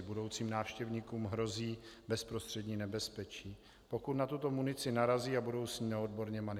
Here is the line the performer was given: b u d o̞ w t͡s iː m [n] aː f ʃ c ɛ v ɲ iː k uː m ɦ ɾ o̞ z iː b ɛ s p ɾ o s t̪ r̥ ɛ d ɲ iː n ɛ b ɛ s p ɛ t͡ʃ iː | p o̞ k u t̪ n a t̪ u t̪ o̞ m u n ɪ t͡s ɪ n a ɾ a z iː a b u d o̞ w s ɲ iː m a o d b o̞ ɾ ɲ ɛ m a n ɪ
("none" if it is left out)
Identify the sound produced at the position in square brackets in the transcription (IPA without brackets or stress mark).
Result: n